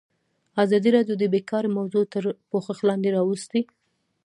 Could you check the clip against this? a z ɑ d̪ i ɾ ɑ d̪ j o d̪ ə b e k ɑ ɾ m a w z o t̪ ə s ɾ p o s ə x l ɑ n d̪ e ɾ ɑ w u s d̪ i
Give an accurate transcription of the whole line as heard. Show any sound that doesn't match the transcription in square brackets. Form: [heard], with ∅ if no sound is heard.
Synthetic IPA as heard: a z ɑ d̪ i ɾ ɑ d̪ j o d̪ ə b e k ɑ ɾ m a w z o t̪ ə [∅] ɾ p o [x] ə x l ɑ n d̪ e ɾ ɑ w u s [t̪] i